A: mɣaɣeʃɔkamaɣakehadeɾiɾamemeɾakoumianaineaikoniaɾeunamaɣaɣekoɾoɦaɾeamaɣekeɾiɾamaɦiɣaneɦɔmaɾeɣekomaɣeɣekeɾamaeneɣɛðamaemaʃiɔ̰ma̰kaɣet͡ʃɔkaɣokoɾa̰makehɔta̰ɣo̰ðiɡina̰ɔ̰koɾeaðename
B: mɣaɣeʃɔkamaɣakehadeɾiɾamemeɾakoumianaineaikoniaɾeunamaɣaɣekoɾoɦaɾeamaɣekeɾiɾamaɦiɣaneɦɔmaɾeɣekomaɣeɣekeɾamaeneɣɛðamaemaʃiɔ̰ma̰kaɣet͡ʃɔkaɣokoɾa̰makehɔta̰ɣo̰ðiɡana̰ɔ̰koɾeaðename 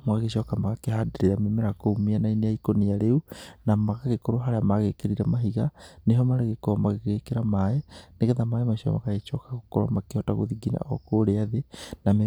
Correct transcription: A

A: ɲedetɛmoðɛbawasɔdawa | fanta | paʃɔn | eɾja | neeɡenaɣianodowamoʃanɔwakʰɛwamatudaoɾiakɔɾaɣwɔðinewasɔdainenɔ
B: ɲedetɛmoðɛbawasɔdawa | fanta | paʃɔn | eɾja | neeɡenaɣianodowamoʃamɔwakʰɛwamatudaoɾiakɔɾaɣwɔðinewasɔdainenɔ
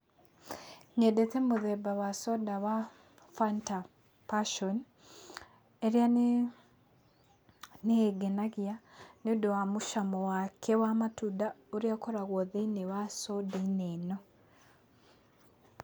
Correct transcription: B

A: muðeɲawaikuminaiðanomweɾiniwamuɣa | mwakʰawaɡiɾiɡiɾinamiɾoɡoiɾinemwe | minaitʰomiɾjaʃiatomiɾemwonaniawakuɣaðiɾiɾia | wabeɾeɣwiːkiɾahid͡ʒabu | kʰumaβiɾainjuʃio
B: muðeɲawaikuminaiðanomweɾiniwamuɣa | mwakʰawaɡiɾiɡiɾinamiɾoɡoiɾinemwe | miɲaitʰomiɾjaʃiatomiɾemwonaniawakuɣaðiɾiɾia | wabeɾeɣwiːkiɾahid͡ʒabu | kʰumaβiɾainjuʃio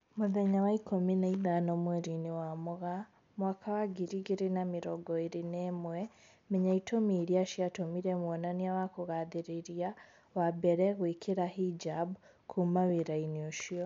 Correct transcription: B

